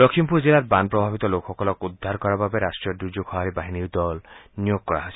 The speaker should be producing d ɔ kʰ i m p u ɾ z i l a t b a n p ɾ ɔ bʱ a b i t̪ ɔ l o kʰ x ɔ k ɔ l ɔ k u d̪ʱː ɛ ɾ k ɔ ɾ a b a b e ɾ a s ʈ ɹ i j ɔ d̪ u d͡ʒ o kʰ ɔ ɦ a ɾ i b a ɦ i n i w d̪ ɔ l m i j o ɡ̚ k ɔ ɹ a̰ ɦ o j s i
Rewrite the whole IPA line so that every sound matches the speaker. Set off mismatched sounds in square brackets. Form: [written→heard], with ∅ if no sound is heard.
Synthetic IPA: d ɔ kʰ i m p u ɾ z i l a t b a n p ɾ ɔ bʱ a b i t̪ ɔ l o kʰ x ɔ k ɔ l ɔ k u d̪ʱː [ɛ→a] ɾ k ɔ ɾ a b a b e ɾ a s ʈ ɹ i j ɔ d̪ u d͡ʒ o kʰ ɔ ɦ a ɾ i b a ɦ i n i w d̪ ɔ l [m→n] i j o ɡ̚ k ɔ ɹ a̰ ɦ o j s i